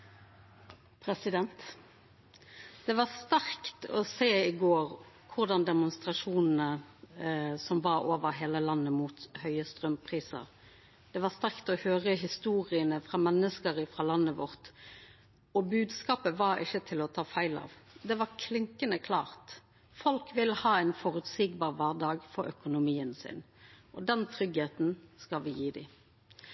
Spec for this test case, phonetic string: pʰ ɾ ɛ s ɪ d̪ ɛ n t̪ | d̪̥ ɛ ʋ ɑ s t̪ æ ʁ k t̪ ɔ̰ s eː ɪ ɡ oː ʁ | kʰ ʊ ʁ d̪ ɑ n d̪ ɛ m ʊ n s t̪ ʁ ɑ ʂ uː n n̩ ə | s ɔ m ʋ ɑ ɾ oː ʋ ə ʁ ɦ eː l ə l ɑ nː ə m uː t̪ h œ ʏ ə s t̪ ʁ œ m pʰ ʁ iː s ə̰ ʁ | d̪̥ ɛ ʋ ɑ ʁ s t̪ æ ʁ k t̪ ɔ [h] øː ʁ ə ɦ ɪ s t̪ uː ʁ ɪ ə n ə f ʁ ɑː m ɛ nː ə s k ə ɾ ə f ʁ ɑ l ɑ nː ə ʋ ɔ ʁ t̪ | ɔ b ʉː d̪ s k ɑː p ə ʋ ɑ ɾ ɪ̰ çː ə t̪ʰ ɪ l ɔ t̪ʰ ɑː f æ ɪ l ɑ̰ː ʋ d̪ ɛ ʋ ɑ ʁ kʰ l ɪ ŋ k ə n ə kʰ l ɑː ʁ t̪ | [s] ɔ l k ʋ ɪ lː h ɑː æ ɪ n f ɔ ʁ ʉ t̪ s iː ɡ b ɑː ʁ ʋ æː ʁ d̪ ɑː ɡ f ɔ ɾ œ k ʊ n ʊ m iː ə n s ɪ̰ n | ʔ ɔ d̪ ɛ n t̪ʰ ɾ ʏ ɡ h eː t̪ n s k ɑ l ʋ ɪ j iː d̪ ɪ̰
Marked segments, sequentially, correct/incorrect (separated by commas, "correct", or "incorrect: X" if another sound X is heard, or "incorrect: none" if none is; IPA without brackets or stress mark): correct, incorrect: f